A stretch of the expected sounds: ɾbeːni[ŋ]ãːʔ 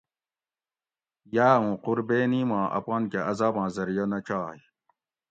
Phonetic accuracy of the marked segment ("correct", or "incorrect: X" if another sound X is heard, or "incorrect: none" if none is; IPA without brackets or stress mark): incorrect: m